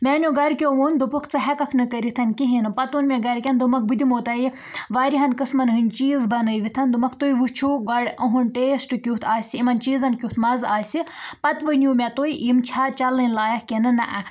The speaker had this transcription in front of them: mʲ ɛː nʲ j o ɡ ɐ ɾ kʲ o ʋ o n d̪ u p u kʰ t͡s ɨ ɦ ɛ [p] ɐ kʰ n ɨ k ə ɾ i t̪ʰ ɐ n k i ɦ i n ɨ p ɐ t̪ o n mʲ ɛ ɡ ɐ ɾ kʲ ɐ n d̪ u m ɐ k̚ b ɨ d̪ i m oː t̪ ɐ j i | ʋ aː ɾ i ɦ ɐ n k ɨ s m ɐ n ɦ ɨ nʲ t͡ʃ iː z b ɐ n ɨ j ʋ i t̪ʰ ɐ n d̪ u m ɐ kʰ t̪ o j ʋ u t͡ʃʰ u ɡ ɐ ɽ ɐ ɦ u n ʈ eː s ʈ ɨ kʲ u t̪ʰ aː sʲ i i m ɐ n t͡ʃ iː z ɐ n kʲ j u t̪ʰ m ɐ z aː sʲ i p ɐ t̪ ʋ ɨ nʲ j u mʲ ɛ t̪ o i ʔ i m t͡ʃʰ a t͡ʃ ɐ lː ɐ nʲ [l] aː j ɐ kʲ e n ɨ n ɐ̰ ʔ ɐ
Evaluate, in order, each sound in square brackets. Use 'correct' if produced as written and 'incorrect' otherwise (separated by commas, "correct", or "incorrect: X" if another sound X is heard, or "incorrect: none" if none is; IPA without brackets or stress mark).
incorrect: k, correct